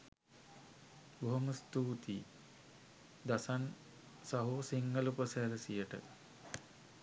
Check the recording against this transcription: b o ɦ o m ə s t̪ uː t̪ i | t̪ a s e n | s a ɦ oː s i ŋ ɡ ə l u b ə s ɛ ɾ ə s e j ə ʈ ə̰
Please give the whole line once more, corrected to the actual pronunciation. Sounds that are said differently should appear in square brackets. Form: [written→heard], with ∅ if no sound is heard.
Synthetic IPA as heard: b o ɦ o m ə s t̪ uː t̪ i | [t̪→d̪] a s [e→a] n | s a ɦ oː s i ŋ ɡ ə l u [b→p] ə s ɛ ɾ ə s [e→i] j ə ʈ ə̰